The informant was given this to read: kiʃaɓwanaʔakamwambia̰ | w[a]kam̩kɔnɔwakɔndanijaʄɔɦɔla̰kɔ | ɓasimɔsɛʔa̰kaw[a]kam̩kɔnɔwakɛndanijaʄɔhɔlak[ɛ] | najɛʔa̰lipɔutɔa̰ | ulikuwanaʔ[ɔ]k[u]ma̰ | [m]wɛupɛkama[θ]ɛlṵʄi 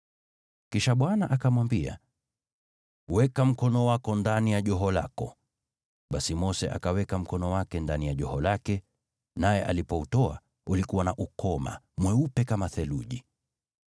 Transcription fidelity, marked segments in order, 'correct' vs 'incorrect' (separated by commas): incorrect, incorrect, correct, incorrect, incorrect, correct, correct